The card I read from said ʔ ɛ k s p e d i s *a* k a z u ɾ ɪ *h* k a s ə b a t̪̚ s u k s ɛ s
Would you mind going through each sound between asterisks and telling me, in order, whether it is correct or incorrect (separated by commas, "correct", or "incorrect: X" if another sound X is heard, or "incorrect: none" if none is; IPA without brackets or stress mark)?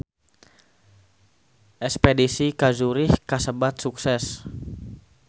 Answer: incorrect: i, correct